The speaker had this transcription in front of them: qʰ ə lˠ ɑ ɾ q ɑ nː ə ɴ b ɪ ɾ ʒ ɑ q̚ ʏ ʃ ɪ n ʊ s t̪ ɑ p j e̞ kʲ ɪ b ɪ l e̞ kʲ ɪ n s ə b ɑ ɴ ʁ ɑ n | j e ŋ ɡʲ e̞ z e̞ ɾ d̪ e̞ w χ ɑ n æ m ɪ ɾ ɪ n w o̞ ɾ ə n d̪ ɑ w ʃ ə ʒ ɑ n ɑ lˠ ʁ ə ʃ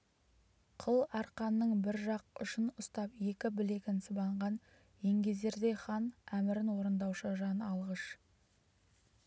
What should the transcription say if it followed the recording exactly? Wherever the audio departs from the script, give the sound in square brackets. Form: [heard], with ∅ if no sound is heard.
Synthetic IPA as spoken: qʰ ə lˠ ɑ ɾ q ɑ nː ə ɴ b ɪ ɾ ʒ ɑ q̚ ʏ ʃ ɪ n ʊ s t̪ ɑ p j e̞ kʲ ɪ b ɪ l e̞ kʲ ɪ n s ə b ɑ ɴ ʁ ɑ n | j e ŋ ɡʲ e̞ z e̞ ɾ d̪ e̞ [∅] χ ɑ n æ m ɪ ɾ ɪ n w o̞ ɾ ə n d̪ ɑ w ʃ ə ʒ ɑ n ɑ lˠ ʁ ə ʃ